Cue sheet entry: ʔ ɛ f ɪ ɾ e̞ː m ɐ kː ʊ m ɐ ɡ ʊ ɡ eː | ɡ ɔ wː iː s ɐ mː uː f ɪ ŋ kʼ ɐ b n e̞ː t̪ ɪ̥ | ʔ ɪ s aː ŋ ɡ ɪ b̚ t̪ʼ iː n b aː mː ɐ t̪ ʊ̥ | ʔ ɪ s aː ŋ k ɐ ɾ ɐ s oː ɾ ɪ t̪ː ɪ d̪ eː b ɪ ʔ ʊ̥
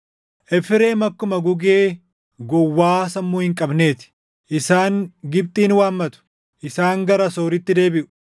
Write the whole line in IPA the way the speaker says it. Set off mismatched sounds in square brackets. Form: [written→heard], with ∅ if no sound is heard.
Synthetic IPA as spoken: ʔ ɛ f ɪ ɾ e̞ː m ɐ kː ʊ m ɐ ɡ ʊ ɡ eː | ɡ ɔ wː [iː→aː] s ɐ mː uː [f→h] ɪ ŋ kʼ ɐ b n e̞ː t̪ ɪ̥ | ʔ ɪ s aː ŋ ɡ ɪ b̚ t̪ʼ iː n [b→w] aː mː ɐ t̪ ʊ̥ | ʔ ɪ s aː ŋ [k→ɡ] ɐ ɾ ɐ s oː ɾ ɪ t̪ː ɪ d̪ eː b ɪ ʔ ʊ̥